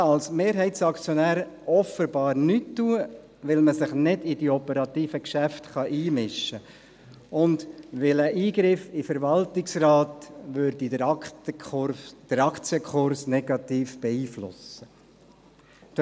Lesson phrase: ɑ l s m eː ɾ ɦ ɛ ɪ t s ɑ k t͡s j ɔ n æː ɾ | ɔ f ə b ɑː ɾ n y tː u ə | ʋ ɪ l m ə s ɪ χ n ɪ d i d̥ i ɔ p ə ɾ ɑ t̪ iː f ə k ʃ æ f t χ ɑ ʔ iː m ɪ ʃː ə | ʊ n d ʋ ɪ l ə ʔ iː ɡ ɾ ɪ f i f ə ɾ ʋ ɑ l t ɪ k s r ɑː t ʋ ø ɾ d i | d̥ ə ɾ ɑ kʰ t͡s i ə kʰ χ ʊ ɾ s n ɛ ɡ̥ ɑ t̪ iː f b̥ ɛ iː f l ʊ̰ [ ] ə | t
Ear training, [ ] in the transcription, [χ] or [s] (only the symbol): s